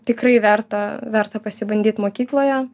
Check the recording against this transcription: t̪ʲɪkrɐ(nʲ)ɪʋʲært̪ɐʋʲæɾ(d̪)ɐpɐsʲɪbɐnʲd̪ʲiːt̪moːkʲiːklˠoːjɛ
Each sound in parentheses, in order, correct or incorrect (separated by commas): incorrect, incorrect